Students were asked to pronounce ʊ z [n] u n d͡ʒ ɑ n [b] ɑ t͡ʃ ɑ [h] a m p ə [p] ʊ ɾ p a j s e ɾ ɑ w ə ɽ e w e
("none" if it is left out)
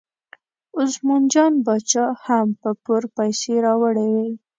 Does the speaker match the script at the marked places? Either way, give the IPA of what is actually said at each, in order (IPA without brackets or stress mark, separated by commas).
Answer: m, b, h, p